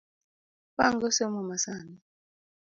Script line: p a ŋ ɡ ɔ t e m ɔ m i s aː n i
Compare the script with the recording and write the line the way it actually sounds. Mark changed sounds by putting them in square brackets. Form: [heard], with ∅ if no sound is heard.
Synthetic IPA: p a ŋ ɡ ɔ [s] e m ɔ m [a] s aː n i